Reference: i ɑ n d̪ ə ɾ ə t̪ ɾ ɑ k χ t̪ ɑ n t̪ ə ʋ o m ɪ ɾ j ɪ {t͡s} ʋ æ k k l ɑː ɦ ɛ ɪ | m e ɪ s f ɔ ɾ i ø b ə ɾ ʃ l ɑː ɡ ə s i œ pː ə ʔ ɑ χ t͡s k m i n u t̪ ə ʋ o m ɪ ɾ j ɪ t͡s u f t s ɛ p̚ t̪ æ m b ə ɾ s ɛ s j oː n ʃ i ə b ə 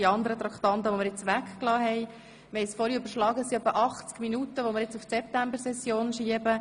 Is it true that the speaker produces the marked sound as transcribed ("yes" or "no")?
yes